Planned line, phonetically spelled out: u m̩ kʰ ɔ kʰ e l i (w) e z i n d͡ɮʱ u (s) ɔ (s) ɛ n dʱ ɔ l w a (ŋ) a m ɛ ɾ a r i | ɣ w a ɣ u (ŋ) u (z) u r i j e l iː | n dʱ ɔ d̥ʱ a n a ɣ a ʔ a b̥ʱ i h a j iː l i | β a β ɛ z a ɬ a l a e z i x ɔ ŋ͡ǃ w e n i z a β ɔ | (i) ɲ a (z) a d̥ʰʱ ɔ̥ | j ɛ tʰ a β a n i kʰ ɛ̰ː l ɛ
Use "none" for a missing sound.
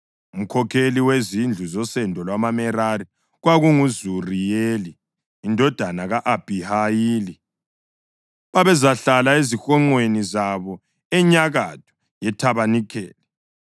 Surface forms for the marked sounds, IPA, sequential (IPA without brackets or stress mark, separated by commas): w, z, s, m, ŋ, z, ɛ, ɣ